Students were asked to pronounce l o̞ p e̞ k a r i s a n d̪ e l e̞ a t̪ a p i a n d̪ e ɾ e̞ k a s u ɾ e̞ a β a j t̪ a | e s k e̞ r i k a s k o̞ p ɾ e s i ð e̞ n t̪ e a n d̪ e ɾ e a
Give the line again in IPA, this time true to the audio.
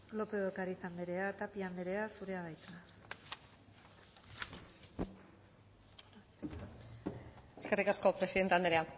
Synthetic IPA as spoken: l o̞ p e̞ k a ɾ i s a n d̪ e ɾ e̞ a t̪ a p i a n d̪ e ɾ e̞ a s u ɾ e̞ a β a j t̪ a | e s k e̞ r i k a s k o̞ p ɾ e s i ð e̞ n t̪ e a n d̪ e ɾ e a